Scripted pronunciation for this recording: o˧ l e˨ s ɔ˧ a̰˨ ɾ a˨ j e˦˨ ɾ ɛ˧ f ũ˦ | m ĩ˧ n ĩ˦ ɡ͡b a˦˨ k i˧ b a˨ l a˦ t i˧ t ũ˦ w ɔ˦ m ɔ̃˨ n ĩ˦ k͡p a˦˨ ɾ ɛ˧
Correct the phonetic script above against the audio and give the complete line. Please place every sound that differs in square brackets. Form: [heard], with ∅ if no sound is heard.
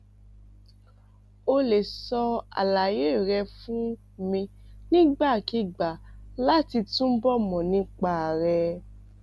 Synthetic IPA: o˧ l e˨ s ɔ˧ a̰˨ [l] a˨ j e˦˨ ɾ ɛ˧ f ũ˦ | m ĩ˧ n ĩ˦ ɡ͡b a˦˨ k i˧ [ɡ͡b] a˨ l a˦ t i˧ t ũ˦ [b] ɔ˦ m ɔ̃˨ n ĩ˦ k͡p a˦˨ ɾ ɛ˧